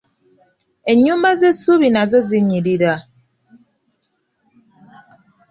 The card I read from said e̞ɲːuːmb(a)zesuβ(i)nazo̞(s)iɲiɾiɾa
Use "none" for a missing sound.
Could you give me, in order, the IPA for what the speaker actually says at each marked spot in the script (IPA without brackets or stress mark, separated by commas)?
a, i, z